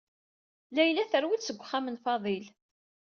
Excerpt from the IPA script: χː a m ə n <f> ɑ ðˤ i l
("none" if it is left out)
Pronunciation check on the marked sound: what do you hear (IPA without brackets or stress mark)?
f